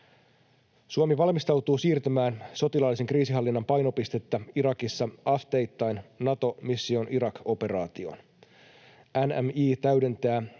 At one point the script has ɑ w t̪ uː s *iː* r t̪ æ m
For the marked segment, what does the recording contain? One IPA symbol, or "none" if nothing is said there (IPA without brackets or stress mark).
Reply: iː